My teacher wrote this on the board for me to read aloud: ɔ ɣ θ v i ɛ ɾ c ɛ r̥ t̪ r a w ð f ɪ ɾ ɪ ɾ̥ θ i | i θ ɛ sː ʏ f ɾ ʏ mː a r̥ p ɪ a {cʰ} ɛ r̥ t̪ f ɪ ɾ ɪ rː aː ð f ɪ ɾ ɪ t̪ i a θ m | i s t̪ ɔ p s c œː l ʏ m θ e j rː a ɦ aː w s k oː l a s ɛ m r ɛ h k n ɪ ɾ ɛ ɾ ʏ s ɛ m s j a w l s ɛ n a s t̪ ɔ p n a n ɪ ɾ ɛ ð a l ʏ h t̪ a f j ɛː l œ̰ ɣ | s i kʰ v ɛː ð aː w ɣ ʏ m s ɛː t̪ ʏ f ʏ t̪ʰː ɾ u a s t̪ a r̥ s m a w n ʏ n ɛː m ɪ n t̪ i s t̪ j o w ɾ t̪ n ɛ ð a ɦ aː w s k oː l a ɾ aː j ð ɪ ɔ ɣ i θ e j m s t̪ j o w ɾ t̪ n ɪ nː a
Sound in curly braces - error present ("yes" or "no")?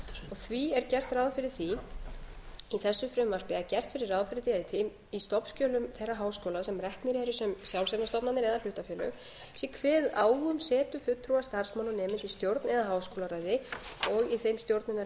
yes